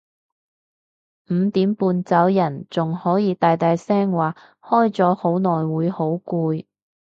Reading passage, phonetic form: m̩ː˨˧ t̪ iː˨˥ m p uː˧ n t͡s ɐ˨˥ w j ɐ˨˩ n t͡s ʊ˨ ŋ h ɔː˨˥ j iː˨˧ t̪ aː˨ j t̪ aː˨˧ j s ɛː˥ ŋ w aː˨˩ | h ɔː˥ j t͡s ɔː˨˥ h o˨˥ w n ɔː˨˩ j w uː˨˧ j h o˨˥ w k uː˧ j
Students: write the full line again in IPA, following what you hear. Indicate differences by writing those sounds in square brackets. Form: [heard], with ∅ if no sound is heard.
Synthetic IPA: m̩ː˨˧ t̪ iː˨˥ m p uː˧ n t͡s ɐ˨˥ w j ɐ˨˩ n t͡s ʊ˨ ŋ h ɔː˨˥ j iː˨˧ t̪ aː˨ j t̪ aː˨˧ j s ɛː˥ ŋ w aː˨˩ | h ɔː˥ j t͡s ɔː˨˥ h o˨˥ w n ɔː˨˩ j w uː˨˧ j h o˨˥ w k uː˧ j

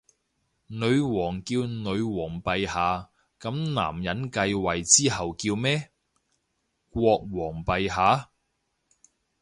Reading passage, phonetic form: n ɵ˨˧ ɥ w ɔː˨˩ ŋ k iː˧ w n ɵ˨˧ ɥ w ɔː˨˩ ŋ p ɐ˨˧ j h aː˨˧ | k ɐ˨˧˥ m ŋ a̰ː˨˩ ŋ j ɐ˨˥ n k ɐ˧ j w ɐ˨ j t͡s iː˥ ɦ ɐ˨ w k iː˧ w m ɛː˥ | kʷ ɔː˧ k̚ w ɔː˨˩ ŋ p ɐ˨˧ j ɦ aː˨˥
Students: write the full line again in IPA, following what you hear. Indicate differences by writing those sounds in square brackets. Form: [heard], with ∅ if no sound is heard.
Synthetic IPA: n ɵ˨˧ ɥ w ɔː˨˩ ŋ k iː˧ w n ɵ˨˧ ɥ w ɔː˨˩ ŋ p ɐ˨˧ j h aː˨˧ | k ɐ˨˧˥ m [n] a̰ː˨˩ [m] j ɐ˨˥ n k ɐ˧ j w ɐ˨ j t͡s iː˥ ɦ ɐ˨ w k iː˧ w m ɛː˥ | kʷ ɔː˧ k̚ w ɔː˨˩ ŋ p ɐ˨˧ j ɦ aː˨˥

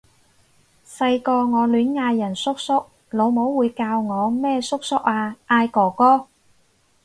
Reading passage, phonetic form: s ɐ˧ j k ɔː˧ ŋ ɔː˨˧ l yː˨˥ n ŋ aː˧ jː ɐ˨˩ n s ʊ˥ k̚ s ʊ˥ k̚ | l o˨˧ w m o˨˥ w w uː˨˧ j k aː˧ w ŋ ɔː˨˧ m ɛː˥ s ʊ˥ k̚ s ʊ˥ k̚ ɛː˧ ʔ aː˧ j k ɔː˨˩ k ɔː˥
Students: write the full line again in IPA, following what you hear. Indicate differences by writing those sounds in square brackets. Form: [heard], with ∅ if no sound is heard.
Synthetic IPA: s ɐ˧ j k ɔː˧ ŋ ɔː˨˧ l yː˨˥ n ŋ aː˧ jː ɐ˨˩ n s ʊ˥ k̚ s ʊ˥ k̚ | l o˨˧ w m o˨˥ w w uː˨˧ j k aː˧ w ŋ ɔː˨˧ m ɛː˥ s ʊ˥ k̚ s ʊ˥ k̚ [aː˧] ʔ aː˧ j k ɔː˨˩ k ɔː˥

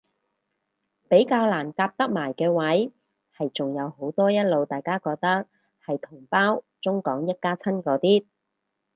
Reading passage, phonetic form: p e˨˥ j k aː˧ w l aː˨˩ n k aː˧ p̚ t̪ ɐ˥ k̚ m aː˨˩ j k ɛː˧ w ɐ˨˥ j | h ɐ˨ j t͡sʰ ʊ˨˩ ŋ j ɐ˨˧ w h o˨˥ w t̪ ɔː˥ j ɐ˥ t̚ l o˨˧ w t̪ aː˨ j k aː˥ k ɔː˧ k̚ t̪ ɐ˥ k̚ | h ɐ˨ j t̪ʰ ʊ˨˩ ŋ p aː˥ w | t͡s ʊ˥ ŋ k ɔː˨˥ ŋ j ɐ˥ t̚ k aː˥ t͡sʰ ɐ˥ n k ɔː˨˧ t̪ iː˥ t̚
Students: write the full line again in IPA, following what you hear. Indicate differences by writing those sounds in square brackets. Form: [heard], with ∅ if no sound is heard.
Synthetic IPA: p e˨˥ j k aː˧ w l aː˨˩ n k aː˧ p̚ t̪ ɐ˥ k̚ m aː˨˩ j k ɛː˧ w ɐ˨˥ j | h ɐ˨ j [t͡s] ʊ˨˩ ŋ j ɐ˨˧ w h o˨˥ w t̪ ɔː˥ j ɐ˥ t̚ l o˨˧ w t̪ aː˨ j k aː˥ k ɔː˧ k̚ t̪ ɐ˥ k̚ | h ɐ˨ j t̪ʰ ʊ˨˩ ŋ p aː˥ w | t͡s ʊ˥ ŋ k ɔː˨˥ ŋ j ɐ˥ t̚ k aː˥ t͡sʰ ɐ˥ n k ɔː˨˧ t̪ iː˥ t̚

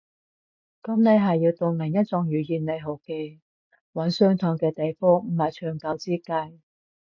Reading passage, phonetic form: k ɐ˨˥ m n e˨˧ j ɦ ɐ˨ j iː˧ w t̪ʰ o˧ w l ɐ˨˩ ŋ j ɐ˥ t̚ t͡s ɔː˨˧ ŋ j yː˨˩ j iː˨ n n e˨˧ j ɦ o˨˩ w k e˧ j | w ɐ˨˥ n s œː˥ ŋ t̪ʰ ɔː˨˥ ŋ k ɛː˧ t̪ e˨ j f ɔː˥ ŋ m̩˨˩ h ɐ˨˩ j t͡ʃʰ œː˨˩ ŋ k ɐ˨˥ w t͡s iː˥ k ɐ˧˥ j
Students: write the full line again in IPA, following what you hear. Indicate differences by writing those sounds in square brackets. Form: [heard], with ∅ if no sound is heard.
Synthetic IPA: k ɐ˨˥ m n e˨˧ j ɦ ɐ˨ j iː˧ w [t̪] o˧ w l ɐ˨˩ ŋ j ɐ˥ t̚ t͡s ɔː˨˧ ŋ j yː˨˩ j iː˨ n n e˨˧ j ɦ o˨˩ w k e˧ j | w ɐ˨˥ n s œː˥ ŋ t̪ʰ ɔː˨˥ ŋ k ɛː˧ t̪ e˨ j f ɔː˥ ŋ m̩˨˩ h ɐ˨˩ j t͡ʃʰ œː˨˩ ŋ k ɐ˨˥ w t͡s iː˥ k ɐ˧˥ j

